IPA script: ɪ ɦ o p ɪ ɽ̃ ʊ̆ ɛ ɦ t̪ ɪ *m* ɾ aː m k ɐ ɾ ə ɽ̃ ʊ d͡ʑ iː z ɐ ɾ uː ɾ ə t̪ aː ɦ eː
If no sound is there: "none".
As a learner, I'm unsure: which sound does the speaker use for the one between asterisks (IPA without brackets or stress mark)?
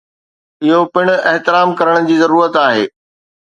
none